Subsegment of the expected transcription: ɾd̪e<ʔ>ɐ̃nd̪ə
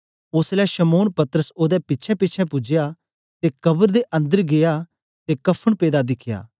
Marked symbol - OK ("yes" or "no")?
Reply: yes